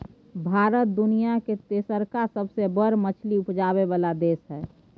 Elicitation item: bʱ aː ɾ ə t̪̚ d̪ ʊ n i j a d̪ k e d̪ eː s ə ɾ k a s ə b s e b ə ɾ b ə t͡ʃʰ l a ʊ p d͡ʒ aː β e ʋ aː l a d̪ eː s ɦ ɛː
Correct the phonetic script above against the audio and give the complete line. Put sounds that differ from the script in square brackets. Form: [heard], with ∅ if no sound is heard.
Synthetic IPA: bʱ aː ɾ ə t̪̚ d̪ ʊ n i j a [∅] k e [t̪] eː s ə ɾ k a s ə b s e b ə ɾ [m] ə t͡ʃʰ l [i] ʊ p d͡ʒ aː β e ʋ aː l a d̪ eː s ɦ ɛː